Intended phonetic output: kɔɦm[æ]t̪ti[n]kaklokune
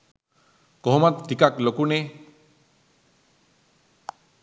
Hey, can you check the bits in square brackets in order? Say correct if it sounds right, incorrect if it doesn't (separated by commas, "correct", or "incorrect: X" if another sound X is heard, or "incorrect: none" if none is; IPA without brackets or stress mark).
incorrect: a, incorrect: none